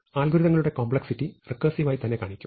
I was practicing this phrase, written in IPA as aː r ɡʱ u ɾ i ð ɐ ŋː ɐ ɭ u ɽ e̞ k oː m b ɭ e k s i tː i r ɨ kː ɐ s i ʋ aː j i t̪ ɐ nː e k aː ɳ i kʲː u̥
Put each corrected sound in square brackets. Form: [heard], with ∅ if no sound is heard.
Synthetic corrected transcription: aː [l] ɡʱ u ɾ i ð ɐ ŋː ɐ ɭ u ɽ e̞ k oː m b ɭ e k s i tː i r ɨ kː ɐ s i ʋ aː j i t̪ ɐ nː e k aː ɳ i kʲː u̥